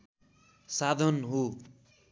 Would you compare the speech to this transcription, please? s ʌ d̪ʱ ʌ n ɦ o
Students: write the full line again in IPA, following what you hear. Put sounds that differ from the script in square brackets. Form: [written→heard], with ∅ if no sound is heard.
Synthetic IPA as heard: s [ʌ→a] d̪ʱ ʌ n ɦ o